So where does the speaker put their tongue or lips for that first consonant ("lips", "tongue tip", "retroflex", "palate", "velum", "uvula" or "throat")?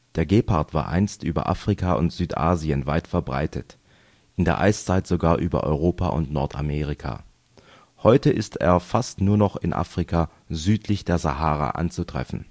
tongue tip